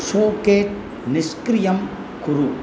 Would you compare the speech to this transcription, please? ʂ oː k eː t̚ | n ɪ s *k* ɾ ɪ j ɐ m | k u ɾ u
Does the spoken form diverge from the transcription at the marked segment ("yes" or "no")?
no